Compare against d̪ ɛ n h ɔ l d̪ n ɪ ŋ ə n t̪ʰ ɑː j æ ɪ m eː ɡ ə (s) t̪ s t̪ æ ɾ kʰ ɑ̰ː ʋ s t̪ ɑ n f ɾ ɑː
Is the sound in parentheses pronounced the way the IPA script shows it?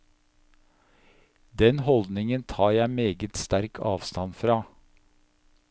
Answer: no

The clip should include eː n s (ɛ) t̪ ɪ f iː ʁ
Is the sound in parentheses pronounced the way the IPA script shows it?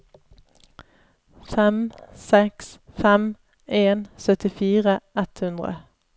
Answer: no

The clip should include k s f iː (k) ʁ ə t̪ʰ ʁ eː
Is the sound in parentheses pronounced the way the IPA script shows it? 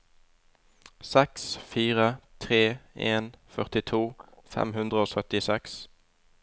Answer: no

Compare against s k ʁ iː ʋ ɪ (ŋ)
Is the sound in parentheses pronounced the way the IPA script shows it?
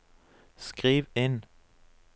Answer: no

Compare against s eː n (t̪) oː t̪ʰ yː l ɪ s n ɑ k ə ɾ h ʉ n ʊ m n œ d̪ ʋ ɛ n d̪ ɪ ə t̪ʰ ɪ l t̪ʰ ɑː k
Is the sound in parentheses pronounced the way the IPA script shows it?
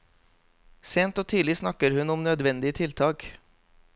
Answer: yes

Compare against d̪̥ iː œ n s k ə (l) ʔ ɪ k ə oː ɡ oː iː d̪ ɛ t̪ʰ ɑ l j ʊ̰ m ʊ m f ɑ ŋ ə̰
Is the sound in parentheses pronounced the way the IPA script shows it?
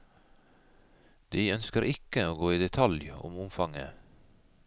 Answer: no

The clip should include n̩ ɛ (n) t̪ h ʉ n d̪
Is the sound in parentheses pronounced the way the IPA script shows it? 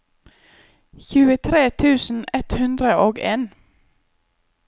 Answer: no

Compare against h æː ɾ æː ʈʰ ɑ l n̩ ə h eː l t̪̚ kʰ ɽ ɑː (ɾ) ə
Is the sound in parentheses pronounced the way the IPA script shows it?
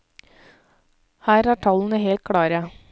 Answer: yes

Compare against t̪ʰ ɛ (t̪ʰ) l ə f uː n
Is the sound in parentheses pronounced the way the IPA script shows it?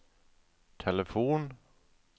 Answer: no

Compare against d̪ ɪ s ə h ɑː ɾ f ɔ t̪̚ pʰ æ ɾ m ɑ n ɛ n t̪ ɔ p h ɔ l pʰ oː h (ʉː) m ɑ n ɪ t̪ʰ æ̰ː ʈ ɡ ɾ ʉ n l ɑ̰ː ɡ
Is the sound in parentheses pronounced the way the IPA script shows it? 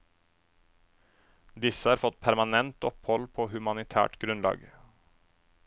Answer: no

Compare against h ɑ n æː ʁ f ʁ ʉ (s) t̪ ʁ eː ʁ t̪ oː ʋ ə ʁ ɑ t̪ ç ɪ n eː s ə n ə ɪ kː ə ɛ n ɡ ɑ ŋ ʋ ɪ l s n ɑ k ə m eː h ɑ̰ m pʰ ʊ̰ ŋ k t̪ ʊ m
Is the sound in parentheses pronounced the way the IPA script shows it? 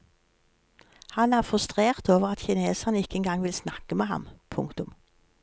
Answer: yes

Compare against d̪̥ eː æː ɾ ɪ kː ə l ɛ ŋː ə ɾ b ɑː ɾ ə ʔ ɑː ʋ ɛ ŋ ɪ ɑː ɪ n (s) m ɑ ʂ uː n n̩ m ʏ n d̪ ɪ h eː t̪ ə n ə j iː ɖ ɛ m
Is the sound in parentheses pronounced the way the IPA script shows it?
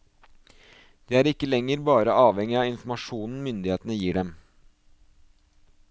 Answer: no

